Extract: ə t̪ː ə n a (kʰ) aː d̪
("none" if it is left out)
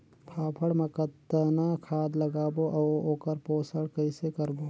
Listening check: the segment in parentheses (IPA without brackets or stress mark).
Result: kʰ